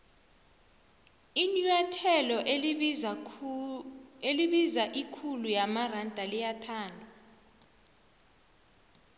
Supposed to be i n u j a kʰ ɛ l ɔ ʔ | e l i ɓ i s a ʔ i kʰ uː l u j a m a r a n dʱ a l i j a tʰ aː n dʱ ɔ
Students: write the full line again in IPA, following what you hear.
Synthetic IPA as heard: i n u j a tʰ ɛ l ɔ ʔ | e l i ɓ i z a ʔ i kʰ u l u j a m a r a n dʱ a l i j a tʰ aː n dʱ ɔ

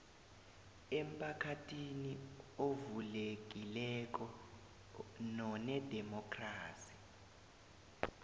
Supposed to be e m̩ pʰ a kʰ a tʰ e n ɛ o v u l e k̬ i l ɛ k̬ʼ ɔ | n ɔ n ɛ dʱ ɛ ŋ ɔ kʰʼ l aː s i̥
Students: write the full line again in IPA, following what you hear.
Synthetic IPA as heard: e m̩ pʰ a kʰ a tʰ i n i o v u l e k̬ i l ɛ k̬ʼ ɔ | n ɔ n ɛ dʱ ɛ m ɔ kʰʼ r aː s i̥

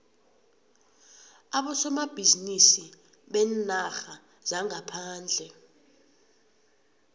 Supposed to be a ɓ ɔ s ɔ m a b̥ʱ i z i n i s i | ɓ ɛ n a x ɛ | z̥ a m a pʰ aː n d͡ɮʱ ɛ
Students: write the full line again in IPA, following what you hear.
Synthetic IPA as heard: a ɓ ɔ s ɔ m a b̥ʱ i z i n i s i | ɓ ɛ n a x a | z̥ a ŋ a pʰ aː n d͡ɮʱ ɛ

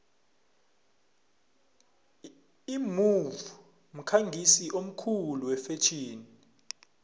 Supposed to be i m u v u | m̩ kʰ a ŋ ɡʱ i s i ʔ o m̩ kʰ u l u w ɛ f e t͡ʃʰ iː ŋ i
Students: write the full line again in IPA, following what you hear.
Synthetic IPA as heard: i m u v u | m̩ kʰ a ŋ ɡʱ i s i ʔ o m̩ kʰ u l u w ɛ f e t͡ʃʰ iː n i

